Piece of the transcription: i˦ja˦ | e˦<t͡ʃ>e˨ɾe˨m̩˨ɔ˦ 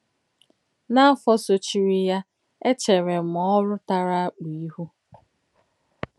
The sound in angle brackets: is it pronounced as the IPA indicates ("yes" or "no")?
yes